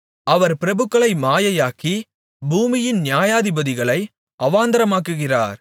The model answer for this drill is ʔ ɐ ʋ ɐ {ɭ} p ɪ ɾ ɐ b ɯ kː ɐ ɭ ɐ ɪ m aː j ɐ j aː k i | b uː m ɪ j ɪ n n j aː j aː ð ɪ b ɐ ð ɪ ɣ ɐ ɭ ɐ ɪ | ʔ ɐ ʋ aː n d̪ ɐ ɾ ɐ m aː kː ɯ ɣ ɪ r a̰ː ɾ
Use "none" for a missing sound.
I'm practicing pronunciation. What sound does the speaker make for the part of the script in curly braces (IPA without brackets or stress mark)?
ɾ